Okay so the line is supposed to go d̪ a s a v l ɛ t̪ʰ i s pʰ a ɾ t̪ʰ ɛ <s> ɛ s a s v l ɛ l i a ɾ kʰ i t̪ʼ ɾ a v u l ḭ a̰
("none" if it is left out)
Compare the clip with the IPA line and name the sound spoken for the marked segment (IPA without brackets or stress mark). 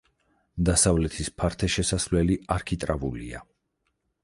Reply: ʃ